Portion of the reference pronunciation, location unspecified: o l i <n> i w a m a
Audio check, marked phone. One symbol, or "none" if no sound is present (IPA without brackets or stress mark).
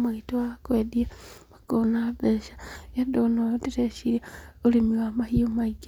m